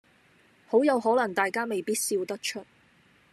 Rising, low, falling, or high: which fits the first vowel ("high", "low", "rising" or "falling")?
rising